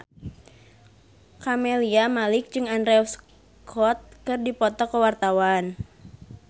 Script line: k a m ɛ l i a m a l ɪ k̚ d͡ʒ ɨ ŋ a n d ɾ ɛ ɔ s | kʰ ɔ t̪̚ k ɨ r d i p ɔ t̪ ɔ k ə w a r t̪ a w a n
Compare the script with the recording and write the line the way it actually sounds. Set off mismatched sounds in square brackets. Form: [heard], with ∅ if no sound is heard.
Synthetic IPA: k a m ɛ l i a m a l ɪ k̚ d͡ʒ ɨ ŋ a n d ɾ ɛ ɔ s | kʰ ɔ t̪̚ k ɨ r d i p ɔ t̪ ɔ k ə w a r t̪ a w a n